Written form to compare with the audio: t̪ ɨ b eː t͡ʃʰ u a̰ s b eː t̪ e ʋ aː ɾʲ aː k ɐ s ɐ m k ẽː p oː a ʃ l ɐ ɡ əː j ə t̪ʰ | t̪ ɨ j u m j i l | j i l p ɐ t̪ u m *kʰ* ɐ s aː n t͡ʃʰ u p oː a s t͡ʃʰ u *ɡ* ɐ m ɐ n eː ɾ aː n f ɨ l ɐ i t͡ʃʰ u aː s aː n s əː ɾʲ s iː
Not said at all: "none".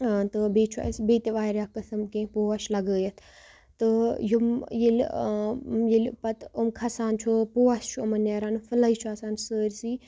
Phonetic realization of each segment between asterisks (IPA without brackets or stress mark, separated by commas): kʰ, none